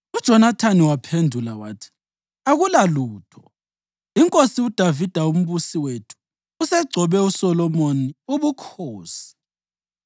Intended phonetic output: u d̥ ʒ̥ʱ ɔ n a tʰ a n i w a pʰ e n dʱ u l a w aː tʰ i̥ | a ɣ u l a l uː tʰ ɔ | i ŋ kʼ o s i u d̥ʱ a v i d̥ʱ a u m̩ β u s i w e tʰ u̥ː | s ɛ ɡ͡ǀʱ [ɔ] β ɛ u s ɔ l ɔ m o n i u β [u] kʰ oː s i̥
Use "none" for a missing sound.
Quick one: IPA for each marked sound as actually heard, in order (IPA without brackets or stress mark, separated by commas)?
ɔ, u